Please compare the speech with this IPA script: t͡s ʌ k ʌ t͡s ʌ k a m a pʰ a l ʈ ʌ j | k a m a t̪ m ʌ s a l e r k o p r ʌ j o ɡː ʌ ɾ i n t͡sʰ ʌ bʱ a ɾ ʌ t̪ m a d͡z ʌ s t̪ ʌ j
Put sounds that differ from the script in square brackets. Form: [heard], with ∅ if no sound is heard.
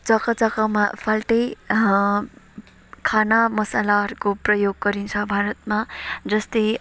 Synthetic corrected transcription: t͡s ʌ k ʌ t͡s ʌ k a m a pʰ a l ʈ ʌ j | [kʰ] a [n] a [∅] m ʌ s a l [a] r k o p r ʌ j o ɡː ʌ ɾ i n t͡sʰ ʌ bʱ a ɾ ʌ t̪ m a d͡z ʌ s t̪ ʌ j